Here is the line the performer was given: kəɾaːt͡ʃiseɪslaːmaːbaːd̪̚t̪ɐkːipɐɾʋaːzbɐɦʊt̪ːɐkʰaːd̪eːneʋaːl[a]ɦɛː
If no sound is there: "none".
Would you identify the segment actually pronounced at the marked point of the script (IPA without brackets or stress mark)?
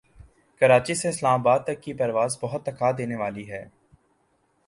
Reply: i